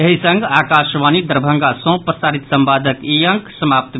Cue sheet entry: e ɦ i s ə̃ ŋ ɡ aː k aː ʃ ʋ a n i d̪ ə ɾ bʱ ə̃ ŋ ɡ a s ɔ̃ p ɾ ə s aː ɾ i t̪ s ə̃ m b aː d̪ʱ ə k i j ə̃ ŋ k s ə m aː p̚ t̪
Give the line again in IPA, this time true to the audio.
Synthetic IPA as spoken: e ɦ i s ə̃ ŋ ɡ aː k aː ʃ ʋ a n i d̪ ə ɾ bʱ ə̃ ŋ ɡ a s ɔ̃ p ɾ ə s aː ɾ i t̪ s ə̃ m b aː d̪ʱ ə k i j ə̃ ŋ k s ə m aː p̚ t̪

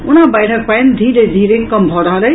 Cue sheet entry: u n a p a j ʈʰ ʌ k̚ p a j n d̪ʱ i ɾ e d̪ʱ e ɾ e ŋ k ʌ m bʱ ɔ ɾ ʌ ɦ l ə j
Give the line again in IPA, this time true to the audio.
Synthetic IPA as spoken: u n a b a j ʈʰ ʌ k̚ p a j n d̪ʱ i ɾ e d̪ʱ i ɾ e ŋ k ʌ m bʱ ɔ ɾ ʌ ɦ l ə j

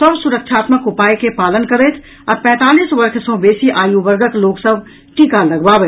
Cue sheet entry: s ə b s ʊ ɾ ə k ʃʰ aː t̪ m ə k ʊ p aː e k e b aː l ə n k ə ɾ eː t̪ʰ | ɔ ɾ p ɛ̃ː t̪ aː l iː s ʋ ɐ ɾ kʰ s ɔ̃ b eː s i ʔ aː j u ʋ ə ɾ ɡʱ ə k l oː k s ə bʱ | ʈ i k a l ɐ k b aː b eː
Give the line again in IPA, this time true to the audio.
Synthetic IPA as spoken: s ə b s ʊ ɾ ə k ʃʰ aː t̪ m ə k ʊ p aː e k e p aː l ə n k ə ɾ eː t̪ʰ | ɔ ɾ p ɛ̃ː t̪ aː l iː s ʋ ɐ ɾ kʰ s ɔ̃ b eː s i ʔ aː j u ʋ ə ɾ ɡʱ ə k l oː k s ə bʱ | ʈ i k a l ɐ ɡ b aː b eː

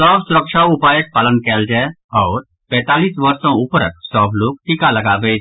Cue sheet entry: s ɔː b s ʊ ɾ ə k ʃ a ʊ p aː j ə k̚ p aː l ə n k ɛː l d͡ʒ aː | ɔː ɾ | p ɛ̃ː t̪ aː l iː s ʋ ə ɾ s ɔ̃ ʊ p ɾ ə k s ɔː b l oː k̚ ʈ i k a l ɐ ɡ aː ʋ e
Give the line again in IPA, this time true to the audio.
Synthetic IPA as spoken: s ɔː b s ʊ ɾ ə k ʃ a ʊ p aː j ə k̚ p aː l ə n k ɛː l d͡ʒ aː | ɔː ɾ | p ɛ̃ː t̪ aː l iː s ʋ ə ɾ s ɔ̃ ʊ p ɾ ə k s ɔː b l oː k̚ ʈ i k a l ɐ ɡ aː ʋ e

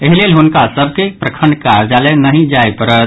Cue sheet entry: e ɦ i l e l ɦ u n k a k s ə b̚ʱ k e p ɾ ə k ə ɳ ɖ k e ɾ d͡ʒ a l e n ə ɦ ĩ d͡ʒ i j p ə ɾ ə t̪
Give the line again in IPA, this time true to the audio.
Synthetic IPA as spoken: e ɦ i l e l ɦ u n k a s ə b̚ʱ k e p ɾ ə kʰ ə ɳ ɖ k a ɾ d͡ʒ a l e n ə ɦ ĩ d͡ʒ a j p ə ɾ ə t̪

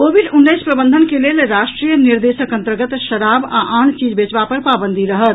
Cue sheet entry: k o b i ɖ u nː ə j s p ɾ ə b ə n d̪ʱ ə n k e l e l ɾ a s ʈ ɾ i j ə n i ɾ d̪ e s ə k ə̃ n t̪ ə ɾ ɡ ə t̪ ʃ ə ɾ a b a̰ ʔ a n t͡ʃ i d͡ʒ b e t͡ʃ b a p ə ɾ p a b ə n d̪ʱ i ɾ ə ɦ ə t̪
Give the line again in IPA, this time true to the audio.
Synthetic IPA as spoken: k o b i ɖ u nː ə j s p ɾ ə b ə n d̪ʱ ə n k e l e l ɾ a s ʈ ɾ i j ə n i ɾ d̪ e s ə k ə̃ n t̪ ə ɾ ɡ ə t̪ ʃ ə ɾ a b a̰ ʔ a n t͡ʃ i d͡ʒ b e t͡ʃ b a p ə ɾ p a b ə n d̪ʱ i ɾ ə ɦ ə t̪

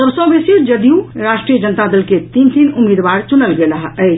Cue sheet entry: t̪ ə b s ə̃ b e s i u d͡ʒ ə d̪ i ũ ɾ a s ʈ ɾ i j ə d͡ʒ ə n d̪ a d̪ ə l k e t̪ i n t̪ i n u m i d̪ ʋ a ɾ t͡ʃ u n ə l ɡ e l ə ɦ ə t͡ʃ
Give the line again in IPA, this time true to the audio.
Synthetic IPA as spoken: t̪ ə b s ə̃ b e s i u d͡ʒ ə d̪ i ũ ɾ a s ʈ ɾ i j ə d͡ʒ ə n t̪ a d̪ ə l k e t̪ i n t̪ i n u m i d̪ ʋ a ɾ t͡ʃ u n ə l ɡ e l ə ɦ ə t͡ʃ

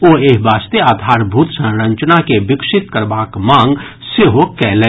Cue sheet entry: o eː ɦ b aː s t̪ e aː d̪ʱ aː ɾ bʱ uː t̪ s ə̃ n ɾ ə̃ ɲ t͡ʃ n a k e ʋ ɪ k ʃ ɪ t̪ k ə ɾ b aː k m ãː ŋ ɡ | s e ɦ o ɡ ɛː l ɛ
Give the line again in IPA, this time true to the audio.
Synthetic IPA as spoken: o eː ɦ b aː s t̪ e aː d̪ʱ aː ɾ bʱ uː t̪ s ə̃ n ɾ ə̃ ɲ t͡ʃ n a k e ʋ ɪ k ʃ ɪ t̪ k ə ɾ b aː k m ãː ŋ ɡ | s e ɦ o k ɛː l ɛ

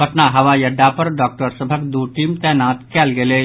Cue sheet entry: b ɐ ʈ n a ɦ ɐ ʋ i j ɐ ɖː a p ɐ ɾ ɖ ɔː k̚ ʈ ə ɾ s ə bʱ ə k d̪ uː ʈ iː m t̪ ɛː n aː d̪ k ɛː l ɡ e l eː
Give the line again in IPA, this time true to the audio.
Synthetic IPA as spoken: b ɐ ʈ n a ɦ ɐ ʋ a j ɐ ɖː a p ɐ ɾ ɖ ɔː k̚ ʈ ə ɾ s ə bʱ ə k d̪ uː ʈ iː m t̪ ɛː n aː t̪ k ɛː l ɡ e l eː

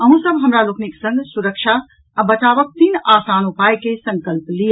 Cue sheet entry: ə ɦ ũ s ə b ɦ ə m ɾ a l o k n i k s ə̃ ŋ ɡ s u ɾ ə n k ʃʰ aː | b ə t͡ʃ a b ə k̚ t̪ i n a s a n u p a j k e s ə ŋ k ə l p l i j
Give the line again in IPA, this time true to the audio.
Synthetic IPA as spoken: ə ɦ ũ s ə b ɦ ə m ɾ a l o k n i k s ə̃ ŋ ɡ s u ɾ ə k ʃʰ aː | b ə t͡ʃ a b ə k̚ t̪ i n a s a n u p a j k e s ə ŋ k ə l p l i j

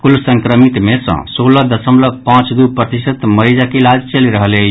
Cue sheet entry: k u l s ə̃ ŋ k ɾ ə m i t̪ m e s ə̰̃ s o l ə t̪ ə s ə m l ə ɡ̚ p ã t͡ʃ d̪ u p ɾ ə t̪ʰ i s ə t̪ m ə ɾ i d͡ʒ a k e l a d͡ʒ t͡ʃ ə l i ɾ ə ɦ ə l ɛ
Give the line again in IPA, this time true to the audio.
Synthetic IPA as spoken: k u l s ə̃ ŋ k ɾ ə m i t̪ m e s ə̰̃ s o l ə d̪ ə s ə m l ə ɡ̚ p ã t͡ʃ d̪ u p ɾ ə t̪ i s ə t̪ m ə ɾ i d͡ʒ a k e l a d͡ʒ t͡ʃ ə l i ɾ ə ɦ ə l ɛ

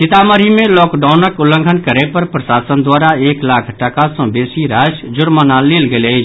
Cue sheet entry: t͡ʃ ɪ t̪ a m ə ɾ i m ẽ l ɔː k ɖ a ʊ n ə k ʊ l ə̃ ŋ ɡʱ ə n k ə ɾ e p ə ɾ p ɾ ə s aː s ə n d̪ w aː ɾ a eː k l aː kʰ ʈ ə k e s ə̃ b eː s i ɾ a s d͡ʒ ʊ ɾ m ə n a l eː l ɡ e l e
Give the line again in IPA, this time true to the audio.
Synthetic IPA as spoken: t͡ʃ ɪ t̪ a m ə ɾ i m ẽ l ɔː k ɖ a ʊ n ə k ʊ l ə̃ ŋ ɡʱ ə n k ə ɾ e p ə ɾ p ɾ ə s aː s ə n d̪ w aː ɾ a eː k l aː kʰ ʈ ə k a s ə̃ b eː s i ɾ a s d͡ʒ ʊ ɾ m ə n a l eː l ɡ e l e

